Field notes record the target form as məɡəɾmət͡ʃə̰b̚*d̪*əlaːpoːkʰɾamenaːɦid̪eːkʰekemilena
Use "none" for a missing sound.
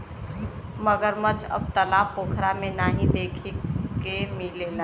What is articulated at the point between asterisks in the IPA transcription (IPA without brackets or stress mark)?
t̪